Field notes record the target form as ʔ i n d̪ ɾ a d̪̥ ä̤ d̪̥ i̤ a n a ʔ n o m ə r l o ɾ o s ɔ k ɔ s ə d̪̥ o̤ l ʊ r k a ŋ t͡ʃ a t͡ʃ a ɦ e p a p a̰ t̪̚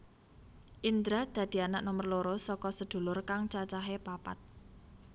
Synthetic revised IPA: ʔ i n d̪ ɾ a d̪̥ ä̤ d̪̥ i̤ a n a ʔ n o m ə r l o ɾ o s ɔ k ɔ s ə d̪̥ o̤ l ʊ r k a ŋ t͡ʃ a t͡ʃ a ɦ e p a p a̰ t̪̚